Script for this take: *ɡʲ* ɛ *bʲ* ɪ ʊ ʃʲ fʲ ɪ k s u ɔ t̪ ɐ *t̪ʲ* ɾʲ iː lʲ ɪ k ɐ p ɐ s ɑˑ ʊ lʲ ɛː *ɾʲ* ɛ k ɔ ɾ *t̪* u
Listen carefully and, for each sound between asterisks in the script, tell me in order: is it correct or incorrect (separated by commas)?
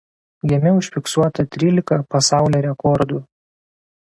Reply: correct, incorrect, correct, correct, incorrect